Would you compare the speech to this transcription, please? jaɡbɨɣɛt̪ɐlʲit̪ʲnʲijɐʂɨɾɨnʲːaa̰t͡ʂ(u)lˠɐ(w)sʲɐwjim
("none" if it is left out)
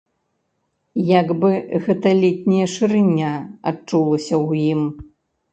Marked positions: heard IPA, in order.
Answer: u, none

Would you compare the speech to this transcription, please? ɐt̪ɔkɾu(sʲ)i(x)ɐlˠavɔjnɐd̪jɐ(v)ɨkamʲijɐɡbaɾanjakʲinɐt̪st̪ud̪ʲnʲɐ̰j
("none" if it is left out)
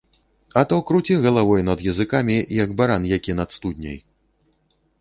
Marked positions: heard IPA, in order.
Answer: t͡sʲ, ɣ, z

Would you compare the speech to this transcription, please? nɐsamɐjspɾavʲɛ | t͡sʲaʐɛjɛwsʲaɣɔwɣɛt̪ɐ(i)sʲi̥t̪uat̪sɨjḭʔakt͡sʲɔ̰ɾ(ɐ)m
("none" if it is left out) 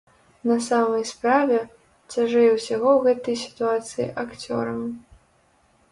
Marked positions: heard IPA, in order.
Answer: j, ɐ

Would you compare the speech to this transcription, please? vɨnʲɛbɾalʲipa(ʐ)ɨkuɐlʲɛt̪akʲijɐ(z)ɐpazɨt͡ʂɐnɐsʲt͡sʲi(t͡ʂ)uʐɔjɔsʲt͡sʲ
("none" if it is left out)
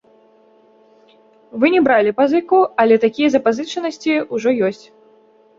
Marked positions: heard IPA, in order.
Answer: z, z, none

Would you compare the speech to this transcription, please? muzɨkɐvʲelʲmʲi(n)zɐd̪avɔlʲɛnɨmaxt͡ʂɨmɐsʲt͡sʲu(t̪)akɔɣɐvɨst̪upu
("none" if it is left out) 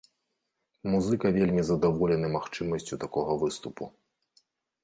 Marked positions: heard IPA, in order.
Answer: none, t̪

